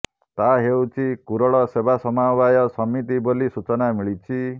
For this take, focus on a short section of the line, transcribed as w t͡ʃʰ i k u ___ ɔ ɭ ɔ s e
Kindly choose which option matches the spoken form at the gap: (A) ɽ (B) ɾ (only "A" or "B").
B